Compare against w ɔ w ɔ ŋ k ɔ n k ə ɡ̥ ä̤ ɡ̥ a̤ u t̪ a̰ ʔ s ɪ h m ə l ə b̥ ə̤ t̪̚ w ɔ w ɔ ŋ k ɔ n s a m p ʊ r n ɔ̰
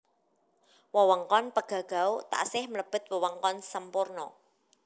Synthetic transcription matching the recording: w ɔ w ɔ ŋ k ɔ n p ə ɡ̥ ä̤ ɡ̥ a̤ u t̪ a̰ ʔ s ɪ h m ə l ə b̥ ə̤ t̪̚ w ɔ w ɔ ŋ k ɔ n s ə m p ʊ r n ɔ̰